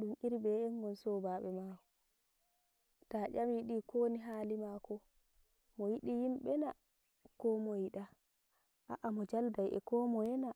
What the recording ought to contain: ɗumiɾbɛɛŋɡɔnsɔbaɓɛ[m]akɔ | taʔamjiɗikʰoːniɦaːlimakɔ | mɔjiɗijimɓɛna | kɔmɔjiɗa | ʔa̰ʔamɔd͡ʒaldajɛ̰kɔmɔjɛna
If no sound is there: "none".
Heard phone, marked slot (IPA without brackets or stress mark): m